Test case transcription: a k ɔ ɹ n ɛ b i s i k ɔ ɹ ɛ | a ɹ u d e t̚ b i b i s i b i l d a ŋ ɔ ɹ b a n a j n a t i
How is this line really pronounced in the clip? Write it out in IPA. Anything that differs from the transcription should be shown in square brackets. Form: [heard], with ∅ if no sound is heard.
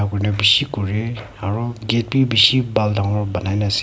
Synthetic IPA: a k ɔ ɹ n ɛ b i s i k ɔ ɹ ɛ | a ɹ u [ɡ] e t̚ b i b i s i b [a] l d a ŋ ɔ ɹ b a n a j n a [s] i